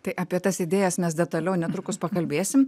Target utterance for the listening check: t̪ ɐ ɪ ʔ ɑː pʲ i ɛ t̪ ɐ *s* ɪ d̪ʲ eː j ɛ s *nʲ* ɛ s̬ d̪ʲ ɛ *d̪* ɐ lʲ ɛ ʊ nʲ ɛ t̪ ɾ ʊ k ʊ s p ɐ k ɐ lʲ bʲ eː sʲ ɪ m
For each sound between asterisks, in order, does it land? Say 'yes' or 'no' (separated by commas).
yes, no, no